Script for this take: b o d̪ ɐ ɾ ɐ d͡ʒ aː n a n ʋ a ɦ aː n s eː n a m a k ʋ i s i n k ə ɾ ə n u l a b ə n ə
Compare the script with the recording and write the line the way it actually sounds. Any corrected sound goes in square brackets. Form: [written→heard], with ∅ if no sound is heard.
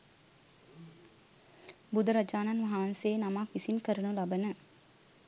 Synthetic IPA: b [o→u] d̪ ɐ ɾ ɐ d͡ʒ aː n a n ʋ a ɦ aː n s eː n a m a k ʋ i s i n k ə ɾ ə n u l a b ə n ə